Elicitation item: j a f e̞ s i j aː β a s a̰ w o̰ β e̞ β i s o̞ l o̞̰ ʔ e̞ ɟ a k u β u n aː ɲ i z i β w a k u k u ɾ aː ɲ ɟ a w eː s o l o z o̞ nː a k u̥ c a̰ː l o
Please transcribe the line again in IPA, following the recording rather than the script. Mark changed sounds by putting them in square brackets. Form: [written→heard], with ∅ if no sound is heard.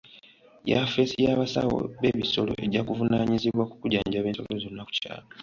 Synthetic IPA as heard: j a f e̞ s i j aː β a s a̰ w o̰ β e̞ β i s o̞ l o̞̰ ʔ e̞ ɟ a k u [β→v] u n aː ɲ i z i β w a k u k u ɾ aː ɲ ɟ a [w→β] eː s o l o z o̞ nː a k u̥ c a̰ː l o